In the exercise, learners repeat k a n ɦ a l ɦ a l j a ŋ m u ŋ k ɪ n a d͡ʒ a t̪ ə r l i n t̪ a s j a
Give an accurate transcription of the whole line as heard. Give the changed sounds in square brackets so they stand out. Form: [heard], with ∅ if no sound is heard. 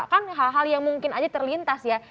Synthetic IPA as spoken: k a n ɦ a l ɦ a l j a ŋ m u ŋ k ɪ n a d͡ʒ a t̪ ə r l i n t̪ a s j a